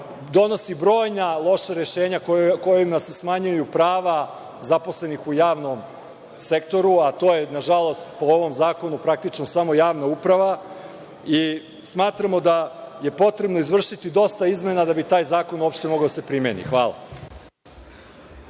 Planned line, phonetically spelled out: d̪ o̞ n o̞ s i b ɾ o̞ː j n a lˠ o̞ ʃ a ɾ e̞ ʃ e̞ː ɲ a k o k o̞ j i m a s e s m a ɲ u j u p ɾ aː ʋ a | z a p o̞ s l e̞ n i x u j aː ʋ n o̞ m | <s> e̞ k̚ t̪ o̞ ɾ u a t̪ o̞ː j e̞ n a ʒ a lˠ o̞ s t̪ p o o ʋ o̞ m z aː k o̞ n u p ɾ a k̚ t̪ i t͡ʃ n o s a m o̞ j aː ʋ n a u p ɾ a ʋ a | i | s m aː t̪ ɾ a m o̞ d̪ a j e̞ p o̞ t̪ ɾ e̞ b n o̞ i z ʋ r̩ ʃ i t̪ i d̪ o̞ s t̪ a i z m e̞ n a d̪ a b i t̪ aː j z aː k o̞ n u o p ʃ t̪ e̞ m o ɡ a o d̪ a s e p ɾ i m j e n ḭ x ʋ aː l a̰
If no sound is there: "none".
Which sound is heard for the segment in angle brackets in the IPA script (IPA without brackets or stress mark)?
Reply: s